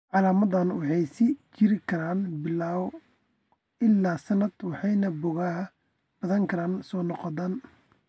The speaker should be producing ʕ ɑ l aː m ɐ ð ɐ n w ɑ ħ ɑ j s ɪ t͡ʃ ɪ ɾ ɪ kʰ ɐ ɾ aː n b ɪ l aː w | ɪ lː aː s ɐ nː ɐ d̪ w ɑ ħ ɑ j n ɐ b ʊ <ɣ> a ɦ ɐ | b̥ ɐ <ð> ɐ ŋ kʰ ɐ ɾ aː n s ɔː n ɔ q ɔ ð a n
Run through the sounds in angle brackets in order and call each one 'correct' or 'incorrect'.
correct, correct

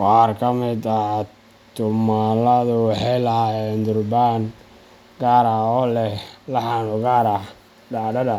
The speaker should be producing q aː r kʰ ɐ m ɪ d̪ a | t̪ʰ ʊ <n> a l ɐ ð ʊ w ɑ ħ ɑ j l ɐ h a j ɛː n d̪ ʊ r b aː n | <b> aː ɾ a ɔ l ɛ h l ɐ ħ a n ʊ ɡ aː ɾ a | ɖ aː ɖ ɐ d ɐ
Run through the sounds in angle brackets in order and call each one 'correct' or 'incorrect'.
incorrect, incorrect

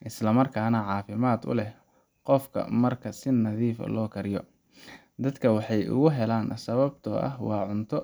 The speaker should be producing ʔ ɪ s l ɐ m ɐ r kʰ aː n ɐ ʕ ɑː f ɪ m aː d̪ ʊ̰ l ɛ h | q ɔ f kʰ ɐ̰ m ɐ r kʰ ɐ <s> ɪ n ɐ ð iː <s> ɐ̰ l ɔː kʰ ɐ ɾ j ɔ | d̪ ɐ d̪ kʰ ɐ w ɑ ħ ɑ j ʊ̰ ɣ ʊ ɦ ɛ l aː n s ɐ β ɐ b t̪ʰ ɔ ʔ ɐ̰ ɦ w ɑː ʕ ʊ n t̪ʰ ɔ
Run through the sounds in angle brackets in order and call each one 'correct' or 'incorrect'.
correct, incorrect

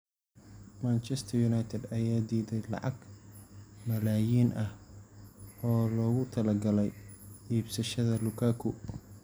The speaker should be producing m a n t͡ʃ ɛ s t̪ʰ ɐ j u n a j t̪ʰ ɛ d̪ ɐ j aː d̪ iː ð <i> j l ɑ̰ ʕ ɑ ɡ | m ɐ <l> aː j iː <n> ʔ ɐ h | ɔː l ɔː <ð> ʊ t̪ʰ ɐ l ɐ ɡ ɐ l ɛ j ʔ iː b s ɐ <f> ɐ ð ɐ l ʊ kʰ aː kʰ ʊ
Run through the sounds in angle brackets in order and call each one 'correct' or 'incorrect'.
incorrect, correct, correct, incorrect, incorrect

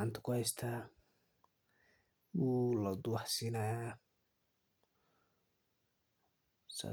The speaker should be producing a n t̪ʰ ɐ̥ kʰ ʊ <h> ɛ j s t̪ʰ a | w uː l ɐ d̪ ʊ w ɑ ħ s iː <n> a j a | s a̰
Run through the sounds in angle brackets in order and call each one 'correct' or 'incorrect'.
correct, correct

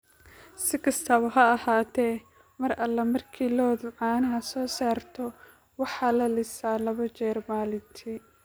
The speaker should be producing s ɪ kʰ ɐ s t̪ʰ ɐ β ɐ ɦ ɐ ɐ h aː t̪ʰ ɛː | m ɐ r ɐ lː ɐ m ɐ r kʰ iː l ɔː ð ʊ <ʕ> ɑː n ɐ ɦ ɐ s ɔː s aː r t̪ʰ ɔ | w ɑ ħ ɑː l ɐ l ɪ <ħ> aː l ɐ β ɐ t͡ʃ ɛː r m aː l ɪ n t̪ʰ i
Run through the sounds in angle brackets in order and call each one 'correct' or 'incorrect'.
correct, incorrect

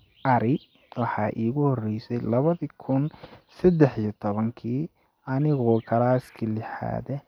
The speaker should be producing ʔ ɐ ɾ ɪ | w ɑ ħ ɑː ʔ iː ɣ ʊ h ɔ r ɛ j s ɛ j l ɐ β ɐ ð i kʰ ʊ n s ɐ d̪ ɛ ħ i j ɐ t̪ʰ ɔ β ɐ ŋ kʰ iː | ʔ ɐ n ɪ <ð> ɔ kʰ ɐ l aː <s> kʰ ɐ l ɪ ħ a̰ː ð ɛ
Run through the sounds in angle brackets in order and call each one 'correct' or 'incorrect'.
incorrect, correct

